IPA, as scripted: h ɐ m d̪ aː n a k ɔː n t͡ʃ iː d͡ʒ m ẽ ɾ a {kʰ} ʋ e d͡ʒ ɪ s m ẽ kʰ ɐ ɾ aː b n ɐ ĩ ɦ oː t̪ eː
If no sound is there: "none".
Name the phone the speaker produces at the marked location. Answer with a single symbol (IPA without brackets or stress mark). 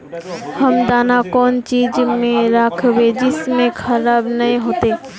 kʰ